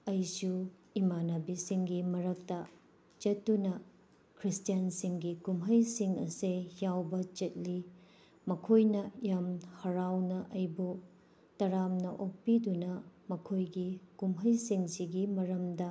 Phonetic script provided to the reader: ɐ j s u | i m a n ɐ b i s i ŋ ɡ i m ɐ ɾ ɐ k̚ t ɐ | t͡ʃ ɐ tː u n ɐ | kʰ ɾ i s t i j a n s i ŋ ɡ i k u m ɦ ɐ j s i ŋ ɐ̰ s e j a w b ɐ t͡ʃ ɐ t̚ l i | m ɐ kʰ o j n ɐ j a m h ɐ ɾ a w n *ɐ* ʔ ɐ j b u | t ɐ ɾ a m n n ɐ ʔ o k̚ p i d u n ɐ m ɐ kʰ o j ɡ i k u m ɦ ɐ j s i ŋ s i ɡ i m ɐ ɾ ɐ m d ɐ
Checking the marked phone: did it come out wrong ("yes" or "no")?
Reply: no